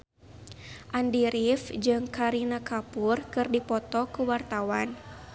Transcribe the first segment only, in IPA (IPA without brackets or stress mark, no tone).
ʔ